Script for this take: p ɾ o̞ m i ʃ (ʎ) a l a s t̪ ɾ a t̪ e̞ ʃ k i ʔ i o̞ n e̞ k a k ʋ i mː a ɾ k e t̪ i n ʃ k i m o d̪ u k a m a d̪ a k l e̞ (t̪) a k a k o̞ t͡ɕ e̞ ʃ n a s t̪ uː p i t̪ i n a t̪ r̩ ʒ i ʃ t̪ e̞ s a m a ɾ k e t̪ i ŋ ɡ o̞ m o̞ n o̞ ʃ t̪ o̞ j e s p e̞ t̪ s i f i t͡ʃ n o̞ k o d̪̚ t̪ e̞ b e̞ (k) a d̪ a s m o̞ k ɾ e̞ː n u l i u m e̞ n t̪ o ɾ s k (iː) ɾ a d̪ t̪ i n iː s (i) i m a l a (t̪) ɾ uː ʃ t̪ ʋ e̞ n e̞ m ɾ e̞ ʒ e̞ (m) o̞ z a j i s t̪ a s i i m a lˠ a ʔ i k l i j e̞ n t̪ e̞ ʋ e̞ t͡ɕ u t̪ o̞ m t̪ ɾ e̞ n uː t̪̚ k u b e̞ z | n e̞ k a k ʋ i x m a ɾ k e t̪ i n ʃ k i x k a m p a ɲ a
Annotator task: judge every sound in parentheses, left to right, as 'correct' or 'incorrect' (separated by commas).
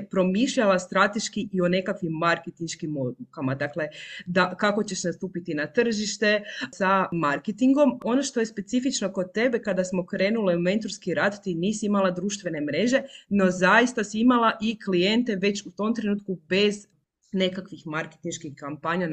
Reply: correct, incorrect, correct, incorrect, correct, incorrect, incorrect